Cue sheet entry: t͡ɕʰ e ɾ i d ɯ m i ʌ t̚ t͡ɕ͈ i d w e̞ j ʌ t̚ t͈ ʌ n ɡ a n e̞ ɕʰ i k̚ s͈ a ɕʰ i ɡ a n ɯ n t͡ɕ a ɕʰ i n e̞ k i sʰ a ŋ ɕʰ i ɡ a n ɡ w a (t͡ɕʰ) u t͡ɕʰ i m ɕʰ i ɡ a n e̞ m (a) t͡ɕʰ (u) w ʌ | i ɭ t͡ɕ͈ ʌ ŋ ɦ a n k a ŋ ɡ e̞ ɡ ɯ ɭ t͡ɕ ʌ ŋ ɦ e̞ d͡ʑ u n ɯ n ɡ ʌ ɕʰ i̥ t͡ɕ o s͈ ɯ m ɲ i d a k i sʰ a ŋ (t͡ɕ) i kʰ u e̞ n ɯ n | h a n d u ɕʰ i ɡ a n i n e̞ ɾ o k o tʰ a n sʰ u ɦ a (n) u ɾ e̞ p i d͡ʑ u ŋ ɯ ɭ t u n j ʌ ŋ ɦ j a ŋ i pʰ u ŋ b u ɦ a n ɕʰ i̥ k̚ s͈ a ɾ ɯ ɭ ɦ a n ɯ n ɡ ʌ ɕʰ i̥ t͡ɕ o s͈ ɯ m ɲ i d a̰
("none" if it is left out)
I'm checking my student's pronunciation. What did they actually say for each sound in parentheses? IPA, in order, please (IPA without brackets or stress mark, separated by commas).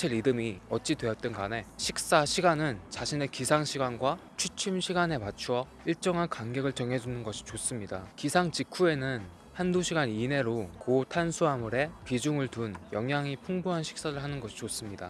t͡ɕʰ, a, u, t͡ɕ, m